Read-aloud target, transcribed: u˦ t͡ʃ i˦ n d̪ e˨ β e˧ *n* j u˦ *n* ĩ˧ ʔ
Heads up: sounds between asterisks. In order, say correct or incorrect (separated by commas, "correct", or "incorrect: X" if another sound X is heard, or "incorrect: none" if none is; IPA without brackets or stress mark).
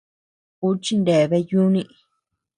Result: incorrect: none, correct